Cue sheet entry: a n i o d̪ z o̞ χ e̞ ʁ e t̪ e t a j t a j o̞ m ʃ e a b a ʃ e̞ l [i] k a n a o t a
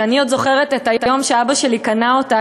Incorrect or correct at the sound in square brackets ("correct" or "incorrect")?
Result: correct